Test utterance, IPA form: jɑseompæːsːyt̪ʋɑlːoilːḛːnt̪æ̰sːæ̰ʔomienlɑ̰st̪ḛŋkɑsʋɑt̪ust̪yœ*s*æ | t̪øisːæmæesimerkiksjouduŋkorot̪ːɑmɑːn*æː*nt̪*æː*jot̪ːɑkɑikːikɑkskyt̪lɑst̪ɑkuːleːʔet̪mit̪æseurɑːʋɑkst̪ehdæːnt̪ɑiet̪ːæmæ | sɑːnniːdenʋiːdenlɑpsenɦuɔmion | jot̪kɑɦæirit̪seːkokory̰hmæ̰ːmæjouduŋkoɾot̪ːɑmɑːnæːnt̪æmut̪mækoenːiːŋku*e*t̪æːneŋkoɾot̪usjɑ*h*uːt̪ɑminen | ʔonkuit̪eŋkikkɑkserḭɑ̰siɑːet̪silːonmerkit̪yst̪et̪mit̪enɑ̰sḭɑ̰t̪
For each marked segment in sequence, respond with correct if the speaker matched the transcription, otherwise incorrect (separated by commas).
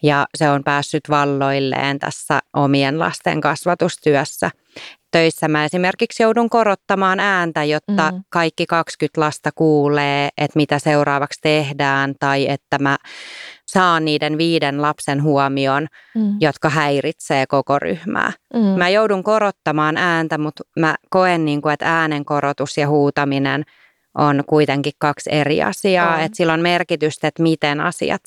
incorrect, correct, incorrect, correct, correct